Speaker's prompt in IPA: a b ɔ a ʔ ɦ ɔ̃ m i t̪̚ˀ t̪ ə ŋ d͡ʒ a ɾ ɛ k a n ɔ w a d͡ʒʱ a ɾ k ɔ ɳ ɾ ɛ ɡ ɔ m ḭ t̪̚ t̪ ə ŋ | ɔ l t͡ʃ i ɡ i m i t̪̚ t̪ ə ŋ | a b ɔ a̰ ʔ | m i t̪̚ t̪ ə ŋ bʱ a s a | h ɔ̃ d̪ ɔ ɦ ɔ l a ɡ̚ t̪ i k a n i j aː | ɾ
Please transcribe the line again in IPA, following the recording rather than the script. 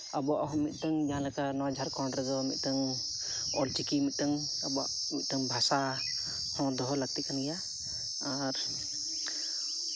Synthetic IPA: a b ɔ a ʔ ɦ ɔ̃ m i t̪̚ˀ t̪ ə ŋ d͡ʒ a l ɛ k a n ɔ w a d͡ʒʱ a ɾ k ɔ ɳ ɾ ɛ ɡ ɔ m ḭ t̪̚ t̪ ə ŋ | ɔ l t͡ʃ i k i m i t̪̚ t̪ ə ŋ | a b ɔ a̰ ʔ | m i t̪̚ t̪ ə ŋ bʱ a s a | h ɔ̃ d̪ ɔ ɦ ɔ l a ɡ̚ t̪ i k a n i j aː | ɾ